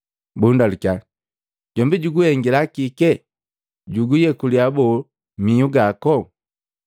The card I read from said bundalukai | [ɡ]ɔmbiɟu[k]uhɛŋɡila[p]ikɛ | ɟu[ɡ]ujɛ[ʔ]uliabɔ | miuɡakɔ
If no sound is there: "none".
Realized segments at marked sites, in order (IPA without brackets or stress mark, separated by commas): ɟ, ɡ, k, ɡ, k